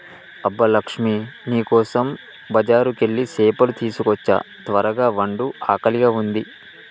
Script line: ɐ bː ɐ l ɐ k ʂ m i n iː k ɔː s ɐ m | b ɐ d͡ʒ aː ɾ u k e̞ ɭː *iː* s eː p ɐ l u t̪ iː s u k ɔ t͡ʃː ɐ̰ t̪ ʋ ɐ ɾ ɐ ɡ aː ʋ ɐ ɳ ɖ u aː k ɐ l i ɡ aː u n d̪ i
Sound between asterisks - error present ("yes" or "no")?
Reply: yes